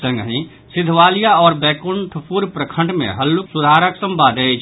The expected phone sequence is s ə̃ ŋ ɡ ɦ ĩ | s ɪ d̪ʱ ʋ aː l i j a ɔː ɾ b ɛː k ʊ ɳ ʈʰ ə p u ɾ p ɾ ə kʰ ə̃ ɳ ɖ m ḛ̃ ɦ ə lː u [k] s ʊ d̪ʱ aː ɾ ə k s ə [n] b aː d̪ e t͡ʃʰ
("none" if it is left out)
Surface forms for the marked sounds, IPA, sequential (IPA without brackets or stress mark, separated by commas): k, m